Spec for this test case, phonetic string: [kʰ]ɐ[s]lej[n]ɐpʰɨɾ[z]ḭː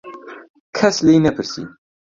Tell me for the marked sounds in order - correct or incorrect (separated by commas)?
correct, correct, correct, incorrect